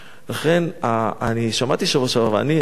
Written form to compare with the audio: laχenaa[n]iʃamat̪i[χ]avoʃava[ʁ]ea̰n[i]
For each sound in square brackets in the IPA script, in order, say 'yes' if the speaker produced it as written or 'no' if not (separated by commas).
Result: yes, no, no, yes